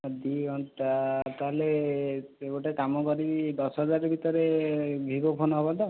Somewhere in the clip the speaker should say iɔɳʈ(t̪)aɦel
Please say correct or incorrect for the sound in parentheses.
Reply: correct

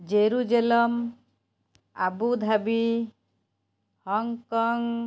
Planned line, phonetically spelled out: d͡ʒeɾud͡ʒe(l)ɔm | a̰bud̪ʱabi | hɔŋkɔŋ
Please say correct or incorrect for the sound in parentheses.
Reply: correct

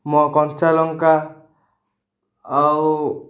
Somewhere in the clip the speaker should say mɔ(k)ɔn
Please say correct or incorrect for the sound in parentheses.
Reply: correct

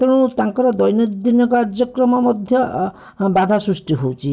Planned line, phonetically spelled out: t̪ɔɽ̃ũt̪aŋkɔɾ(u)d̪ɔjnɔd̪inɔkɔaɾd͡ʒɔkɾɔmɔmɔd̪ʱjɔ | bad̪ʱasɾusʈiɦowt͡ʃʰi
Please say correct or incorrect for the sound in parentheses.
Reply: incorrect: ɔ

